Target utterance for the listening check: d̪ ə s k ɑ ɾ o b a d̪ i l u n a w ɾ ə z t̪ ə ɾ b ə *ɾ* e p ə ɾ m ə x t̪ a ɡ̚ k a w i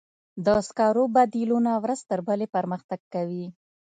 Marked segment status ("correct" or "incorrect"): incorrect